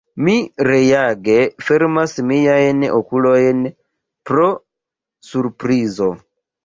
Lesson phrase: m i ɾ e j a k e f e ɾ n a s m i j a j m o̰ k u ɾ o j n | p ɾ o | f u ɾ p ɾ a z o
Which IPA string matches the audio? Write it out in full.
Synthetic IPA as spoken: m i ɾ e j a ɡ e f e ɾ m a s m i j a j n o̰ k u l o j n | p ɾ o | s u ɾ p ɾ i z o